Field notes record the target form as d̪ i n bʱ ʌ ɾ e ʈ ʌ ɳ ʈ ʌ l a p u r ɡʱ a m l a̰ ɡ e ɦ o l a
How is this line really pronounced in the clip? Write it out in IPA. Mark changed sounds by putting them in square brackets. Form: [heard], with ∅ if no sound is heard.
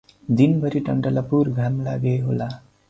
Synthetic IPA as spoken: d̪ i n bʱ ʌ ɾ [i] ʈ ʌ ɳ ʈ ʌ l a p u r ɡʱ a m l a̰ ɡ e ɦ o l a